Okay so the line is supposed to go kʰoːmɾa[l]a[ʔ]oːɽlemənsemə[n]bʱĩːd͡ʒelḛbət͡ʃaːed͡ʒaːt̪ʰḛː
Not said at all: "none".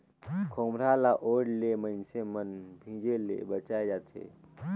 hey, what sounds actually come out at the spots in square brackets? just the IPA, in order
l, ʔ, n

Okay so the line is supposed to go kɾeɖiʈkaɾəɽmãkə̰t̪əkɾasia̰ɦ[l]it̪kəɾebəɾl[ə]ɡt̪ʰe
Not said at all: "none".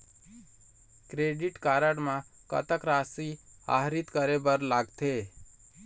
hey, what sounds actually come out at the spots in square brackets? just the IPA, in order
ɾ, a

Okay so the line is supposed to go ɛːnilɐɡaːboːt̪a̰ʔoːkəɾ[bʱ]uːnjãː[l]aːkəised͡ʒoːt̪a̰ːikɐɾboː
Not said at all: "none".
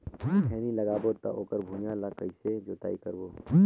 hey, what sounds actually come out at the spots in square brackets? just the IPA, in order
bʱ, l

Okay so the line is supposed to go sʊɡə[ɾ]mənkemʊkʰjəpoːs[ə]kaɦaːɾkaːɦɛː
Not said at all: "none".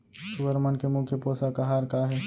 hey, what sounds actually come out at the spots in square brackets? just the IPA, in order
ɾ, a

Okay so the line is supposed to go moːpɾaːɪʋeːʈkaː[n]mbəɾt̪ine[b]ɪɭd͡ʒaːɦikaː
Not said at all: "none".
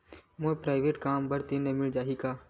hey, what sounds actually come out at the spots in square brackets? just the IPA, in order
none, m

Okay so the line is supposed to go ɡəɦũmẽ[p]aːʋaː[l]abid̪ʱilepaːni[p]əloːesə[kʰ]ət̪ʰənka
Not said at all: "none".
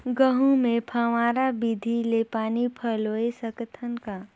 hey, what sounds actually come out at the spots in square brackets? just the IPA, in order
pʰ, ɾ, pʰ, k

